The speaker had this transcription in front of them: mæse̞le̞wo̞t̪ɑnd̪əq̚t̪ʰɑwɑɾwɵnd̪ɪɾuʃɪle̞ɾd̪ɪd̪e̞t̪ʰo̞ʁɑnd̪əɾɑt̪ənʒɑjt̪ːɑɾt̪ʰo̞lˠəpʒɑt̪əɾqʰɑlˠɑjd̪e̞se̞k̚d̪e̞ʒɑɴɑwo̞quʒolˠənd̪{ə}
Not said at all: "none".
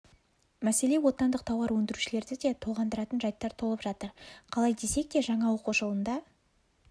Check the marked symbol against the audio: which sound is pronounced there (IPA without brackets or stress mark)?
ɑ